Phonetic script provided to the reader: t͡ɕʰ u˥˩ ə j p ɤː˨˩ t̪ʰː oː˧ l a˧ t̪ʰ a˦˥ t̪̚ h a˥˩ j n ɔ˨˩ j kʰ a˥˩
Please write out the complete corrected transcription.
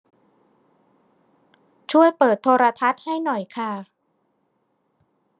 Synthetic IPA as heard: t͡ɕʰ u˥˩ ə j p ɤː˨˩ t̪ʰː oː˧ ɾ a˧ t̪ʰ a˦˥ t̪̚ h a˥˩ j n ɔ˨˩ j kʰ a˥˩